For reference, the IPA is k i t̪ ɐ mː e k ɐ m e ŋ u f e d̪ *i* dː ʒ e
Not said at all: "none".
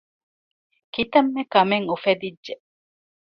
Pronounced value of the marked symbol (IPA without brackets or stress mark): i